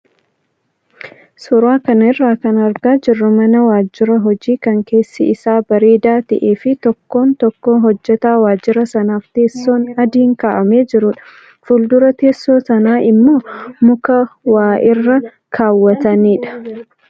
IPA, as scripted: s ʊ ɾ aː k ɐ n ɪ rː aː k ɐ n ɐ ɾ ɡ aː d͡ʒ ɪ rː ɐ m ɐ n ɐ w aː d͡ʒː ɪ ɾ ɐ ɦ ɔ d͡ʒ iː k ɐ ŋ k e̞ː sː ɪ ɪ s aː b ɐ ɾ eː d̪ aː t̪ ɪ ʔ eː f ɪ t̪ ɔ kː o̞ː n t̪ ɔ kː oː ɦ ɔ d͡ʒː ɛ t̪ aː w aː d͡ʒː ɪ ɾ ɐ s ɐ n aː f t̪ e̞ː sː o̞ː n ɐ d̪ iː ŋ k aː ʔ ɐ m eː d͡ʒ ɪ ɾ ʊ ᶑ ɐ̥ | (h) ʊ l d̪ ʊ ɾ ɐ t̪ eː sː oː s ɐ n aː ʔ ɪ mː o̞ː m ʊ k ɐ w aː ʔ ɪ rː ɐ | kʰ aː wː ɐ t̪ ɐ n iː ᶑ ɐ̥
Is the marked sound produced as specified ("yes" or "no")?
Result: no